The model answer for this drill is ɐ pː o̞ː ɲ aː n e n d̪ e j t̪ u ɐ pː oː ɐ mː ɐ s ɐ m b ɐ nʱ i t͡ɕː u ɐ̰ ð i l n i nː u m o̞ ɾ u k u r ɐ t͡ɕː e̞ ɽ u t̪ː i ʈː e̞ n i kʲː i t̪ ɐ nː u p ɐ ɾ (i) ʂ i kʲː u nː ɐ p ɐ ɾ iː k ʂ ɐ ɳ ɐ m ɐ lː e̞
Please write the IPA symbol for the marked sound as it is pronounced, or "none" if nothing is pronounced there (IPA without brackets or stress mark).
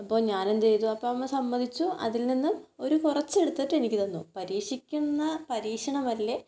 iː